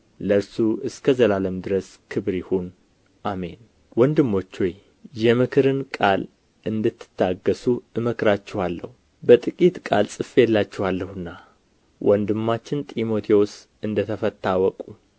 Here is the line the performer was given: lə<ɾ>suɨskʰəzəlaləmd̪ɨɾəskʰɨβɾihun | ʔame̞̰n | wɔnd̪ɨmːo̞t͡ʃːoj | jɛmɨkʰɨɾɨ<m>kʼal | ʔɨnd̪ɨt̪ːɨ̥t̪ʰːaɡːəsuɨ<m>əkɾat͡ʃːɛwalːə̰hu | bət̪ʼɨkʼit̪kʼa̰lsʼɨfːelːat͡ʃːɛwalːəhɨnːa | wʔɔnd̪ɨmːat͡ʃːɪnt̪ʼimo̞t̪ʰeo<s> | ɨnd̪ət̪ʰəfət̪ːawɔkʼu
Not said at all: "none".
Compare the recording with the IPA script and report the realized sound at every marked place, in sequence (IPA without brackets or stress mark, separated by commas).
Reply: ɾ, n, m, s